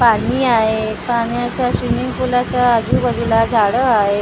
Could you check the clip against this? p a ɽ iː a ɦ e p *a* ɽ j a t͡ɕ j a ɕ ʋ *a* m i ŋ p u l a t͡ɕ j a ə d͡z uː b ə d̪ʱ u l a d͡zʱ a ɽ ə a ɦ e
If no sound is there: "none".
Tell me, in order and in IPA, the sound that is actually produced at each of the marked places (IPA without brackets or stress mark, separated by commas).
a, i